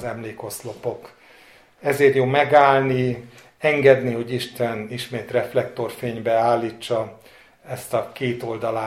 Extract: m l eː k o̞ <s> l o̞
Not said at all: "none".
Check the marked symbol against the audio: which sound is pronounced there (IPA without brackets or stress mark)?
s